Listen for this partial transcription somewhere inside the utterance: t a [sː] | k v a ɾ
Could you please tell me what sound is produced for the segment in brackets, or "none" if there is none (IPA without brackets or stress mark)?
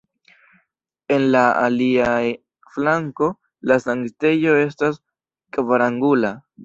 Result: s